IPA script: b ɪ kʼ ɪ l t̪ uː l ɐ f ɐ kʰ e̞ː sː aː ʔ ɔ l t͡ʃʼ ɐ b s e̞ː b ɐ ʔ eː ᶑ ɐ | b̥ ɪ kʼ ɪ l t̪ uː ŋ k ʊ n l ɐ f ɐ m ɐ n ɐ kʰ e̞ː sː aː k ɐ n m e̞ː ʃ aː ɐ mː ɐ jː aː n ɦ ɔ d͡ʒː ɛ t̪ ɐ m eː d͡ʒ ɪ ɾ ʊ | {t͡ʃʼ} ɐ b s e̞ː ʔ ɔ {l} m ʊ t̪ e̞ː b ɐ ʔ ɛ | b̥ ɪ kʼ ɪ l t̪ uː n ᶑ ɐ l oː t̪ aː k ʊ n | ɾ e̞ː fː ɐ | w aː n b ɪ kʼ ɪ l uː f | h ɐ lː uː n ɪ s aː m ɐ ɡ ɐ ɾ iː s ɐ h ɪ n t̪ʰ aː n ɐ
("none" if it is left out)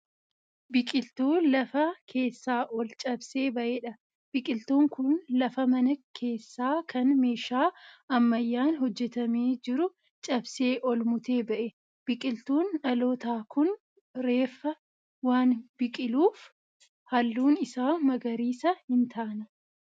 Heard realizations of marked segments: t͡ʃʼ, l

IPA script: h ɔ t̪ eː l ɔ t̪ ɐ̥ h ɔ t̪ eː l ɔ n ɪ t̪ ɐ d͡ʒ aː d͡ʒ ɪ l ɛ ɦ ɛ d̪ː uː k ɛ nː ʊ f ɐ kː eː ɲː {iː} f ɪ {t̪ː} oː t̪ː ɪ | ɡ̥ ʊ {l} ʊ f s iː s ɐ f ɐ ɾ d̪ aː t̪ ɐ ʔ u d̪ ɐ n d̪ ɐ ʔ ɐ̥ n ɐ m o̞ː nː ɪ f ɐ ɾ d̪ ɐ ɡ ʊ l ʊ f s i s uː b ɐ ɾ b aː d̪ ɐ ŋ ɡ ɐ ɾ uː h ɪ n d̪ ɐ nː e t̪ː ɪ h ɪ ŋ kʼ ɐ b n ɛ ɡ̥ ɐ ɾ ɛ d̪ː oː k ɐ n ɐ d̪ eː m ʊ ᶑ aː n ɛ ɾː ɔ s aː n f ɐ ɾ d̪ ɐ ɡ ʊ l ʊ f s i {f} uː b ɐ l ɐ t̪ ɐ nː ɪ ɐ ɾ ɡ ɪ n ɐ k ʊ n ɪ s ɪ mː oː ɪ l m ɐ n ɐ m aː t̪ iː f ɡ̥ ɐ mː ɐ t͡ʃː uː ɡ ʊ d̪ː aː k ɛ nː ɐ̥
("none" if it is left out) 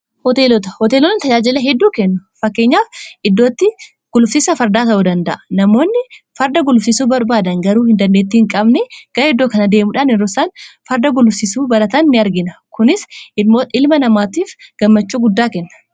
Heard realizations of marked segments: aː, d̪ː, l, s

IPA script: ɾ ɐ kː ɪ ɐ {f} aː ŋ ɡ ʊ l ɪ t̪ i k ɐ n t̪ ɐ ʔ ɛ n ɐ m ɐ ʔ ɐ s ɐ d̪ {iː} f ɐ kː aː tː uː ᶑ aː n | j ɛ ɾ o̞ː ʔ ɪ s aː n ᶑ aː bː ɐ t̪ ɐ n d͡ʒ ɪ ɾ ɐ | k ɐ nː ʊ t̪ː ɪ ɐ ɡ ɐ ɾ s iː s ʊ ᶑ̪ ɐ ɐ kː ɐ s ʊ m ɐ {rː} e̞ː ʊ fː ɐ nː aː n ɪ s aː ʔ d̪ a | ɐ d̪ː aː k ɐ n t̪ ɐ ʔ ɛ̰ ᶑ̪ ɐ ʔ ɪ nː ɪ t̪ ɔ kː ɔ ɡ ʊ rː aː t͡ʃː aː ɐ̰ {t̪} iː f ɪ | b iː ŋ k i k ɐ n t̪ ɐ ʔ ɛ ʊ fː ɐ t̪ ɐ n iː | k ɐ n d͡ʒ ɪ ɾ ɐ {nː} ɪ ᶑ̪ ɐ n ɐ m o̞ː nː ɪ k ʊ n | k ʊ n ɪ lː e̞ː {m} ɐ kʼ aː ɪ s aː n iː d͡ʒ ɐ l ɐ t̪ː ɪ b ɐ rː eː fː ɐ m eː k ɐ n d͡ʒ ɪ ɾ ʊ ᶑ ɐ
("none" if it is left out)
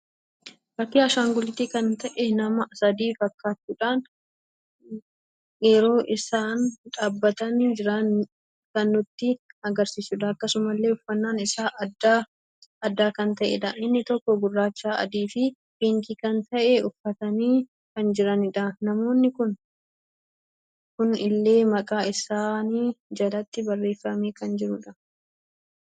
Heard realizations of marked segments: ʃ, iː, lː, d̪, n, m

